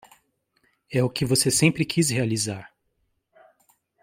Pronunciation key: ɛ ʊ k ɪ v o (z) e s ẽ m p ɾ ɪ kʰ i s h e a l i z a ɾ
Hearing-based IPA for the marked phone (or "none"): s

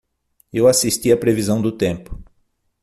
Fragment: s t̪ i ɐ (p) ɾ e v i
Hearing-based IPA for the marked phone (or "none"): p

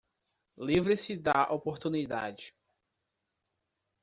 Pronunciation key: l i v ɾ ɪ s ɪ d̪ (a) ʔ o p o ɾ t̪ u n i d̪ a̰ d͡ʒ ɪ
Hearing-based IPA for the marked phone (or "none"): a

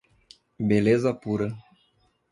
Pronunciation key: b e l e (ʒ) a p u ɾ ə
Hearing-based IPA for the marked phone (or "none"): z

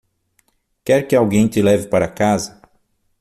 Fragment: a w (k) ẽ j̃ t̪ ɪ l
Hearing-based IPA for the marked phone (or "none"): ɡ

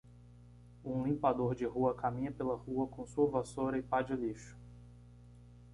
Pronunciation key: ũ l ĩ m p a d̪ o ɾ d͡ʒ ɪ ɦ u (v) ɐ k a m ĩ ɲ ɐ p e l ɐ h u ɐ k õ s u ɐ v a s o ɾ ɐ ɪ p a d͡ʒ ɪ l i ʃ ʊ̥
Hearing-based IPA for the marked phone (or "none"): none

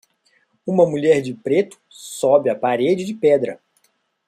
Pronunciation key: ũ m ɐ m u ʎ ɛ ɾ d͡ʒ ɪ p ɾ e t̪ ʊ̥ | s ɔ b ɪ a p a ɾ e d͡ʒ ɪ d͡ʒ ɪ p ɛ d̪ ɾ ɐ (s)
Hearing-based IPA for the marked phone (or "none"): none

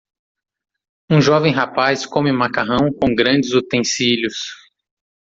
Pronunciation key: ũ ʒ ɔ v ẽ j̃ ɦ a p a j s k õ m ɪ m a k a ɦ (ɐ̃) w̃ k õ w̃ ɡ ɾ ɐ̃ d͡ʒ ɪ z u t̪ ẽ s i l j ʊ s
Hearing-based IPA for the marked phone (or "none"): ɐ̃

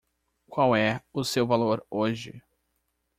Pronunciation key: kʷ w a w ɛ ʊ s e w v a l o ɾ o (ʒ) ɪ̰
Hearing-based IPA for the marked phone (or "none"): ʒ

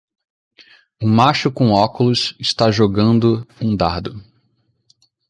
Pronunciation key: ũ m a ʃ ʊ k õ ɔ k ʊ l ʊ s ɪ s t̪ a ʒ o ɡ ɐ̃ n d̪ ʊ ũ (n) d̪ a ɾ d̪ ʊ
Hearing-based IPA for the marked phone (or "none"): none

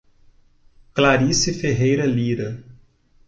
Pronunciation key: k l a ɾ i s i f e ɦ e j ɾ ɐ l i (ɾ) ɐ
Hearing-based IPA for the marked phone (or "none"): ɾ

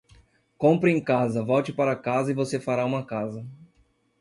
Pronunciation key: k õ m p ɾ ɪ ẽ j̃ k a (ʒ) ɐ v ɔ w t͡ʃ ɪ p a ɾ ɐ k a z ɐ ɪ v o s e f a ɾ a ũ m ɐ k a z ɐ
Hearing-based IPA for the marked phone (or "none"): z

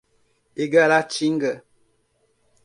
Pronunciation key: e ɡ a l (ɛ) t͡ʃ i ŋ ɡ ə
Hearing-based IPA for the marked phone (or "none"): a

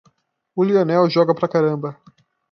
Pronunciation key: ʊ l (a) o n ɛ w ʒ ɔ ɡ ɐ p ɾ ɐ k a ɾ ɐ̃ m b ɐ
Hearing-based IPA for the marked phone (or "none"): i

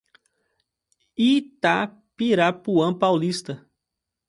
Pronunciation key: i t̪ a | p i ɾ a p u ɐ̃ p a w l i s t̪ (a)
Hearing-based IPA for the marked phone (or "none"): ɐ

